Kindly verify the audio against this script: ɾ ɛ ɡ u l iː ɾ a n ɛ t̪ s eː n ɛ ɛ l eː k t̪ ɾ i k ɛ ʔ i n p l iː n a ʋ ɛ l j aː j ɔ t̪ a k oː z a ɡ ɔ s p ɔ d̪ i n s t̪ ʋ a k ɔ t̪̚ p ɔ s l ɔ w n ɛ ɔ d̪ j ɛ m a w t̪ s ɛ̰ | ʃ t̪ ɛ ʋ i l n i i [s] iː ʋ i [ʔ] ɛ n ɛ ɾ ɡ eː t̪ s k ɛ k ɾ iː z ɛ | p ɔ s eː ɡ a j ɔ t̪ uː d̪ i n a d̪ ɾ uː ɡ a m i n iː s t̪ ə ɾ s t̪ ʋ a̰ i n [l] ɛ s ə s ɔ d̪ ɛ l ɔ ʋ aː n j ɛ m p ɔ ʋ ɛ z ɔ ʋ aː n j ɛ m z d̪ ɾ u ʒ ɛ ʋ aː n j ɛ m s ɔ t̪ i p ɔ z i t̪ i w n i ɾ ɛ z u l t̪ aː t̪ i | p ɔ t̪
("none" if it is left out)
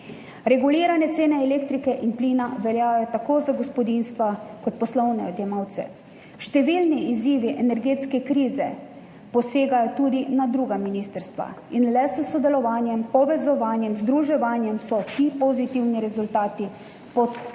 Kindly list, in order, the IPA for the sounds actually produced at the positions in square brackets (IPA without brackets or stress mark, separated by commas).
z, ʔ, l